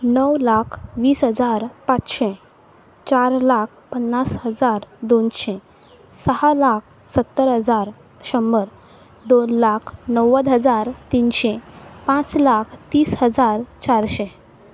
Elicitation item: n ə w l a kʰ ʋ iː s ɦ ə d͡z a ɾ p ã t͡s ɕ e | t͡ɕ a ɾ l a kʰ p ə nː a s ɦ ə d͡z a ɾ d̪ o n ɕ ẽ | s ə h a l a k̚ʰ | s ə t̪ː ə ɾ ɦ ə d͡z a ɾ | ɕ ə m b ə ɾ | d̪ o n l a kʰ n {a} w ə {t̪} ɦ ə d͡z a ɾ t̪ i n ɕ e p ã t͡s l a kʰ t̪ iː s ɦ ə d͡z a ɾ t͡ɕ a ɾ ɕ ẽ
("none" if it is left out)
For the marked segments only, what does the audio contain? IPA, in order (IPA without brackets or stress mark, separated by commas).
ə, d̪